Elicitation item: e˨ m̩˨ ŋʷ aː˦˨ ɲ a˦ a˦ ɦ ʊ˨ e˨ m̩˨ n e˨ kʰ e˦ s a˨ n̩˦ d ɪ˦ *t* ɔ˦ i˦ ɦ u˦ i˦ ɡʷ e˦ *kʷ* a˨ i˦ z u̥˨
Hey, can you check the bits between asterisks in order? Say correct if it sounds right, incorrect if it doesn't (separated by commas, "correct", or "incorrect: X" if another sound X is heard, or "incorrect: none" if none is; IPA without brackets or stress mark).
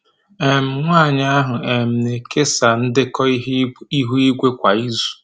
incorrect: k, correct